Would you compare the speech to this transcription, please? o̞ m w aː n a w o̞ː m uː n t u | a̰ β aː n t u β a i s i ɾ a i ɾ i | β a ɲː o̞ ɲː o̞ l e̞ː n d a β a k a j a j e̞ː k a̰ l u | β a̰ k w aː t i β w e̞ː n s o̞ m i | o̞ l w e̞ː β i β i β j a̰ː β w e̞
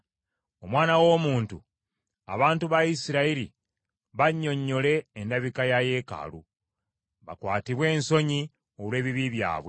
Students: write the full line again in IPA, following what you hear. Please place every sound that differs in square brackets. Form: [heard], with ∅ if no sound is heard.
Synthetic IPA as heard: o̞ m w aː n a w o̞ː m uː n t u | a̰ β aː n t u β a i s i ɾ a i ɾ i | β a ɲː o̞ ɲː o̞ l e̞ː n d a β [i] k a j a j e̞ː k a̰ l u | β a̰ k w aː t i β w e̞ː n s o̞ [ɲ] i | o̞ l w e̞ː β i β i β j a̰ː β w e̞